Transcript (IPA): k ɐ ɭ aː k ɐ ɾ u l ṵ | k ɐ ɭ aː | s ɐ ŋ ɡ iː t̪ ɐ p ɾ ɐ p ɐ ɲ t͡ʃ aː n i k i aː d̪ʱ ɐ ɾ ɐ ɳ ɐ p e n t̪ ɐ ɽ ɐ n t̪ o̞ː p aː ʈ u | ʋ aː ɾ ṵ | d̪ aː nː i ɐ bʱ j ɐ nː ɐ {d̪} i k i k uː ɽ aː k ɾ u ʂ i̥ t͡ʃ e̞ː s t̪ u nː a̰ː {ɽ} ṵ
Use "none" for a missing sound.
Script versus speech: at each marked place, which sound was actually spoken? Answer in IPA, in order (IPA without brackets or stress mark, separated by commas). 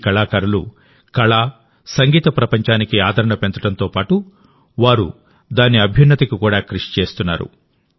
t̪, ɾ